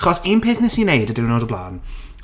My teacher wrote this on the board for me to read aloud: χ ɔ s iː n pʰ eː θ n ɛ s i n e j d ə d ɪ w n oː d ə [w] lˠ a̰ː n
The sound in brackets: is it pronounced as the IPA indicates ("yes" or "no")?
no